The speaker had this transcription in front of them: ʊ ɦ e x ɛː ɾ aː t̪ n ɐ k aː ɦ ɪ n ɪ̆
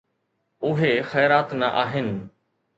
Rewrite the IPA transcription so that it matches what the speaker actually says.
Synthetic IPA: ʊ ɦ e x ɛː ɾ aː t̪ n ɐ ʔ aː ɦ ɪ n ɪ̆

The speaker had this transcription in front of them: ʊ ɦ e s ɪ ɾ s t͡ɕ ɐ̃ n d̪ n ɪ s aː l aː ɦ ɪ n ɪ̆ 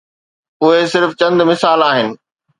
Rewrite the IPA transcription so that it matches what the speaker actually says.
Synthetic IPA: ʊ ɦ e s ɪ ɾ f t͡ɕ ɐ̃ n d̪ m ɪ s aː l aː ɦ ɪ n ɪ̆

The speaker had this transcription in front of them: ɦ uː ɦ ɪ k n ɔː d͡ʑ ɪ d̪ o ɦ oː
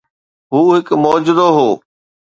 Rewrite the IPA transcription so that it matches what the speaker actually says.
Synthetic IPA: ɦ uː ɦ ɪ k m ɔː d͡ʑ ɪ d̪ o ɦ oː

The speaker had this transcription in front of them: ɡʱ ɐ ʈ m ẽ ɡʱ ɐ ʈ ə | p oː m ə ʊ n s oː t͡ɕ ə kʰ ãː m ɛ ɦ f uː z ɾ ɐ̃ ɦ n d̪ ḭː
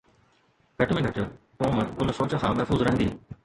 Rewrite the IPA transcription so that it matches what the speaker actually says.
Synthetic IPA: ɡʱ ɐ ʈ m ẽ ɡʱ ɐ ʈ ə | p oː m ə ʊ n s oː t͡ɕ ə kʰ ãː m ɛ ɦ f uː z ɾ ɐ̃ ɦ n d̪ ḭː

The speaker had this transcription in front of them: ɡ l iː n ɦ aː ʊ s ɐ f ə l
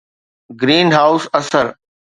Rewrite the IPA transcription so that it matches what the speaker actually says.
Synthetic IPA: ɡ ɾ iː n ɦ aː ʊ s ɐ s ə ɾ

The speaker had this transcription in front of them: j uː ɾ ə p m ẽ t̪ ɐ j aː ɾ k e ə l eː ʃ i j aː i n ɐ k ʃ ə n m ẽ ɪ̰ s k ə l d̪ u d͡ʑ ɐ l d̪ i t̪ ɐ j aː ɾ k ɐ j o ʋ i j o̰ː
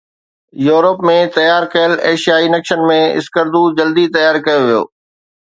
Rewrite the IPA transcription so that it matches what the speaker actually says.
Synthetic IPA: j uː ɾ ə p m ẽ t̪ ɐ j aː ɾ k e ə l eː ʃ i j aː i n ɐ k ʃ ə n m ẽ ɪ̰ s k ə ɾ d̪ u d͡ʑ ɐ l d̪ i t̪ ɐ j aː ɾ k ɐ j o ʋ i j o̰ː

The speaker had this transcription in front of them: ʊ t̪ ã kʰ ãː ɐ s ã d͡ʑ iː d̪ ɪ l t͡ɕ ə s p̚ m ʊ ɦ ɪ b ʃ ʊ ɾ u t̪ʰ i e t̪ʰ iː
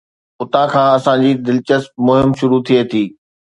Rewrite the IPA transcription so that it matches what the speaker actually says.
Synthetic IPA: ʊ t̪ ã kʰ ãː ɐ s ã d͡ʑ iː d̪ ɪ l t͡ɕ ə s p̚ m ʊ ɦ ɪ m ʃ ʊ ɾ u t̪ʰ i e t̪ʰ iː

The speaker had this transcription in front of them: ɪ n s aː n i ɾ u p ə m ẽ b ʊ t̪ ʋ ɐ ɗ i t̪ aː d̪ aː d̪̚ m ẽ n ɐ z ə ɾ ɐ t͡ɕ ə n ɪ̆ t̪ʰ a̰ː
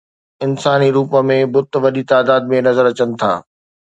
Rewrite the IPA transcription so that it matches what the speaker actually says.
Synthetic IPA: ɪ n s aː n i ɾ uː p ə m ẽ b ʊ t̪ ʋ ɐ ɗ i t̪ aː d̪ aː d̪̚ m ẽ n ɐ z ə ɾ ɐ t͡ɕ ə n ɪ̆ t̪ʰ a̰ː

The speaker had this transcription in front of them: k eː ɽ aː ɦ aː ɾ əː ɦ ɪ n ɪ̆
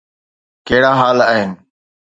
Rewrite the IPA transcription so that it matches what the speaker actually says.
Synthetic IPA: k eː ɽ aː ɦ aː l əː ɦ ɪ n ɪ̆

